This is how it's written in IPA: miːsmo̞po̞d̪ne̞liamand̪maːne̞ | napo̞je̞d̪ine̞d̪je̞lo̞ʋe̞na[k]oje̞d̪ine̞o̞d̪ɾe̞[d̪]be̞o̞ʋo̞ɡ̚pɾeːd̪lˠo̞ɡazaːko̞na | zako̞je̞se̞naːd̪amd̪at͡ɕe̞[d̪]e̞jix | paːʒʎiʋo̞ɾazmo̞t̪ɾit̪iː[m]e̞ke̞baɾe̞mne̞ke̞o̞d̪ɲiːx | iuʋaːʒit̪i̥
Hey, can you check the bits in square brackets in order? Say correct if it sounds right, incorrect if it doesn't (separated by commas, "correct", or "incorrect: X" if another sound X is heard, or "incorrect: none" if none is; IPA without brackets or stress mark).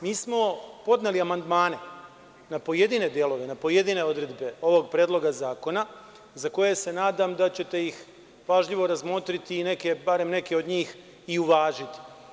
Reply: incorrect: p, correct, incorrect: t̪, incorrect: n